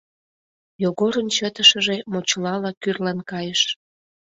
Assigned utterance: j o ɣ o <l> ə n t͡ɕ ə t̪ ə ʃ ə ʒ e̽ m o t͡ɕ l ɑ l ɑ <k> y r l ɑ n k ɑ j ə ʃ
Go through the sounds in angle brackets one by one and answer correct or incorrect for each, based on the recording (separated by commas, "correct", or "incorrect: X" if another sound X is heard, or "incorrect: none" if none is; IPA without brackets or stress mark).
incorrect: ɾ, correct